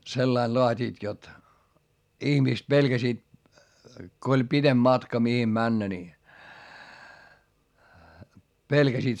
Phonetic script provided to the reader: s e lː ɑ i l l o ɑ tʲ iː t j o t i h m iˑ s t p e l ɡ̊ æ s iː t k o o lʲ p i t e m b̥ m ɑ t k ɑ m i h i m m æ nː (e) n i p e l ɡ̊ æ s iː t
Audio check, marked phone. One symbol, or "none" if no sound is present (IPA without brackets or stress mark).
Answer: æ